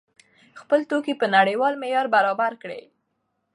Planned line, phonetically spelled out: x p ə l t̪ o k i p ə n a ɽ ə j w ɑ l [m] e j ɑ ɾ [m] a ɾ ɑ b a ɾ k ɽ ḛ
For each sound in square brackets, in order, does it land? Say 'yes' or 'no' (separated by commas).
yes, no